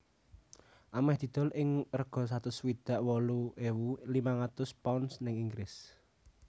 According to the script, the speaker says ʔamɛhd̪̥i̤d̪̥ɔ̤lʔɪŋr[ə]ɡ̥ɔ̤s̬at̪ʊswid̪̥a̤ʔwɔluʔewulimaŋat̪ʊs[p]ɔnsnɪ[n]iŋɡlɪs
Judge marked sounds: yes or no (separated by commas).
yes, yes, no